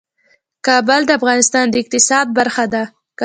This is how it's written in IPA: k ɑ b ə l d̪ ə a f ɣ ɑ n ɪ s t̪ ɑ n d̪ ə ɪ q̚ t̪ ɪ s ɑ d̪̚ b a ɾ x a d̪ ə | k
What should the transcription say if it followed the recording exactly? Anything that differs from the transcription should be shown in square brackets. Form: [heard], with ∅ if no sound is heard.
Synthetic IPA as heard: k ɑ b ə l d̪ ə a f ɣ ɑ n ɪ s t̪ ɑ n d̪ ə ɪ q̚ t̪ ɪ s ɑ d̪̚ b a ɾ x a d̪ [a] | k

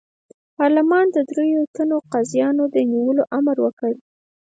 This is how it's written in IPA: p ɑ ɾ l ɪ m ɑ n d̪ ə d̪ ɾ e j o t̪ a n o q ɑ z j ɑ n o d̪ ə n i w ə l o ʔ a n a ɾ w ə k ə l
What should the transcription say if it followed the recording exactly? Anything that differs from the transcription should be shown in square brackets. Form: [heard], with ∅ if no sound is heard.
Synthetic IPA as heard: p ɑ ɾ l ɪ m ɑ n d̪ ə d̪ ɾ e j o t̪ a n o q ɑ z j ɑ n o d̪ ə n i w ə l o ʔ a [m] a ɾ w ə k ə [ɽ]

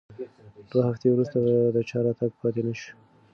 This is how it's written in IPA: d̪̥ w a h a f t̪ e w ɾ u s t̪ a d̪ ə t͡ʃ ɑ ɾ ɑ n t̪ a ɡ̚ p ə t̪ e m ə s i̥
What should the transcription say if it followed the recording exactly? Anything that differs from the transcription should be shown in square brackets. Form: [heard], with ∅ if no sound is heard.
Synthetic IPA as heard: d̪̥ w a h a f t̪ e w ɾ u s t̪ a d̪ ə t͡ʃ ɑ ɾ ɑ [∅] t̪ a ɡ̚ p [ɑ] t̪ e [n] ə [ʃ] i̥

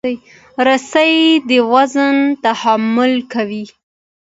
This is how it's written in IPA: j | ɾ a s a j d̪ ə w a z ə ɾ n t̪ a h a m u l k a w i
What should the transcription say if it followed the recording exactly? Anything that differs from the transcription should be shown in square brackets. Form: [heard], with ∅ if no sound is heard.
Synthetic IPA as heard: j | ɾ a s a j d̪ ə w a z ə [∅] n t̪ a h a m [ʊ] l k a w i

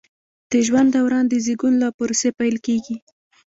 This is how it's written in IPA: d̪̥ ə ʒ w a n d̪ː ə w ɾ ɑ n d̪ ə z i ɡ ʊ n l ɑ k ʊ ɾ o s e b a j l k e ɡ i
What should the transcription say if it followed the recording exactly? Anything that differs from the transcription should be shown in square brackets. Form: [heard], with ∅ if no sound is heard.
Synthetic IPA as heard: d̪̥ ə ʒ w a n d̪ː [a] w ɾ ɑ n d̪ ə z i ɡ [u] n l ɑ [p] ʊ ɾ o s e [p] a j l k e ɡ i

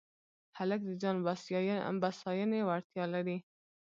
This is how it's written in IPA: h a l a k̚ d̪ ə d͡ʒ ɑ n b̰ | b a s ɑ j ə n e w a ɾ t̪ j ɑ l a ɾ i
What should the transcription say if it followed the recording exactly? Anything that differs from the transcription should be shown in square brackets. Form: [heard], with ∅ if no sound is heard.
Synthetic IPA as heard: h a l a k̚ d̪ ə d͡ʒ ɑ n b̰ | b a s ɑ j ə n e w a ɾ t̪ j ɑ l a ɾ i

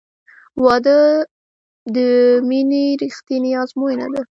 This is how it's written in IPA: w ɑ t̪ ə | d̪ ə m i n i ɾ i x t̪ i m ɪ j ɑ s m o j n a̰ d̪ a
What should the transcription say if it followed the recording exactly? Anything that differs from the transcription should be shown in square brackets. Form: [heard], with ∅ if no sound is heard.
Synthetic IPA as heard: w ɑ [d̪] ə | d̪ ə m i n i ɾ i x t̪ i [n] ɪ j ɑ [z] m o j n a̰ d̪ a

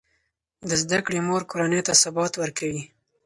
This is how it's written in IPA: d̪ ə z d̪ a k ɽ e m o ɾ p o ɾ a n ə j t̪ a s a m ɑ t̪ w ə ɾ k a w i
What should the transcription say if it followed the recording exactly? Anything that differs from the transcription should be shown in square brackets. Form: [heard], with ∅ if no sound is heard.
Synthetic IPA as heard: d̪ ə z d̪ a k ɽ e m o ɾ [k] o ɾ a n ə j t̪ a s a [b] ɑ t̪ w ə ɾ k a w i

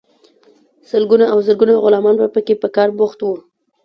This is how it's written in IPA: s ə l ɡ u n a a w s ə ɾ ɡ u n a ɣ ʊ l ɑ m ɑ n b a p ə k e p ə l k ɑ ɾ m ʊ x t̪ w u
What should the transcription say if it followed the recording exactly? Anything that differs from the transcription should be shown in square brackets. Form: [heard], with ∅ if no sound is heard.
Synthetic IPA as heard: s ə l ɡ u n a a w [z] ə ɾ ɡ u n a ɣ ʊ l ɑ m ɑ n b a p ə k e p ə [∅] k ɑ ɾ [b] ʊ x t̪ w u

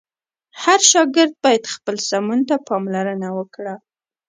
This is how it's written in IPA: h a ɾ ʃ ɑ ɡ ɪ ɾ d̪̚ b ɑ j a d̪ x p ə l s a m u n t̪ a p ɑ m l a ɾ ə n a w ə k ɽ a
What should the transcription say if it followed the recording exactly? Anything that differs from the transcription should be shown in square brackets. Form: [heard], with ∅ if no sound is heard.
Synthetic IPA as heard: h a ɾ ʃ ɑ ɡ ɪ ɾ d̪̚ b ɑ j a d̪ x p ə l s a m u n t̪ a p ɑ m l a ɾ ə n a w ə k ɽ a

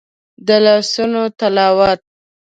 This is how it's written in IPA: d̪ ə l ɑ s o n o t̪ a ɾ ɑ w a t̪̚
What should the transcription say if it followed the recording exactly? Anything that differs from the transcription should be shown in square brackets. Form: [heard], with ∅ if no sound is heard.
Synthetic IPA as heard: d̪ ə l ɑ s [u] n o t̪ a [l] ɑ w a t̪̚

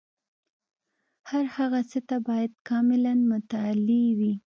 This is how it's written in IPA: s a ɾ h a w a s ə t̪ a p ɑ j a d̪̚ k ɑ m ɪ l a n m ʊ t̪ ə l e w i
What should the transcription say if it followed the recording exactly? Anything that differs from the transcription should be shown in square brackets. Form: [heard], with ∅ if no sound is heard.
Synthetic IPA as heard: [h] a ɾ h a [ɣ] a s ə t̪ a [b] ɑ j a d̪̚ k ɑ m ɪ l a n m ʊ t̪ [a] l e w i

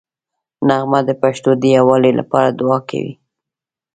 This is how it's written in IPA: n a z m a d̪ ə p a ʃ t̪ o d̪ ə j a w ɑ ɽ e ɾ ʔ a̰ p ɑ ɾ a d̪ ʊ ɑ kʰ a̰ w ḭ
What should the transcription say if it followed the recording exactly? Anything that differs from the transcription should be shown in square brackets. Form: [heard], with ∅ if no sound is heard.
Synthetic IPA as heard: n a [ɣ] m a d̪ ə p a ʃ t̪ o d̪ ə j a w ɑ [l] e [l] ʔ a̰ p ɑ ɾ a d̪ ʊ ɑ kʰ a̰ w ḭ

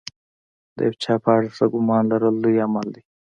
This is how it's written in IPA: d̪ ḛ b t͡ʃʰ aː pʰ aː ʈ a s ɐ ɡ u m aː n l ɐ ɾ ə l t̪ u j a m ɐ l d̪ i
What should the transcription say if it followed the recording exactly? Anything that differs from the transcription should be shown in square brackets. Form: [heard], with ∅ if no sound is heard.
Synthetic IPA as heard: d̪ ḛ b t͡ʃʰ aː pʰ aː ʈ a s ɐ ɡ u m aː n l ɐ ɾ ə l [d̪] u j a m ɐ l d̪ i

